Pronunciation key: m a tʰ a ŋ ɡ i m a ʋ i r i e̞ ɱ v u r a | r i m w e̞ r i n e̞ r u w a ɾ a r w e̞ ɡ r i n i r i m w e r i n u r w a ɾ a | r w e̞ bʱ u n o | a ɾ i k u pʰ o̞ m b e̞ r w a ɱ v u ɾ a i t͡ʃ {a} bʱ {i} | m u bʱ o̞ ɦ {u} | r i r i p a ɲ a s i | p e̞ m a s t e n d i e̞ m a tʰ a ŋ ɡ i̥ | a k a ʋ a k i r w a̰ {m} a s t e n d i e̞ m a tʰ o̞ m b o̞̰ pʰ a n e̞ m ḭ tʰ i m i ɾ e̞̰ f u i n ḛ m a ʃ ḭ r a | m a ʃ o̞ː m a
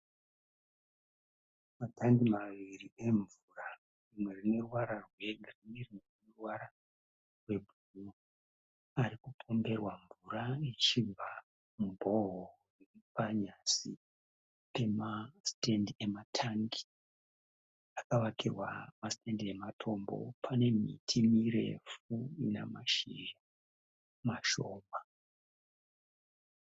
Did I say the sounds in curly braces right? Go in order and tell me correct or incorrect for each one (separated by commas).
incorrect, incorrect, incorrect, correct